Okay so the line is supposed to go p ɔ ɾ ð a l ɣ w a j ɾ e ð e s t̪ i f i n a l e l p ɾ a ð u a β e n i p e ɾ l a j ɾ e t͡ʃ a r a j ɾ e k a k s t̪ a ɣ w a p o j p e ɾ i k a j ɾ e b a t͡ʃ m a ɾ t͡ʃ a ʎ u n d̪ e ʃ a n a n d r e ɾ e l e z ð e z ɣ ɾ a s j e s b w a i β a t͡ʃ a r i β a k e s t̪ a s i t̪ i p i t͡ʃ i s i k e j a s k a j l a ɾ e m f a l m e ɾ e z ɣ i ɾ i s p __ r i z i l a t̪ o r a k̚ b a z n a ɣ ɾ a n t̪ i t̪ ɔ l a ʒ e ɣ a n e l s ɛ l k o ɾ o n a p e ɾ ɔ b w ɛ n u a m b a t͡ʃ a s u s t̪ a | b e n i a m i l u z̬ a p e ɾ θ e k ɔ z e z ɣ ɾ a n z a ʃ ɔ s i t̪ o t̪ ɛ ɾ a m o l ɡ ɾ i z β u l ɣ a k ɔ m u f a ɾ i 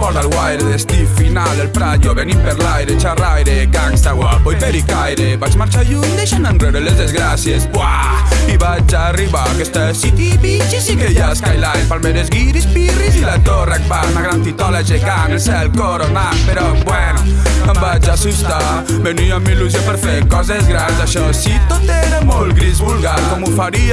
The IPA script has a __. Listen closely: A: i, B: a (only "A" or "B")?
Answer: A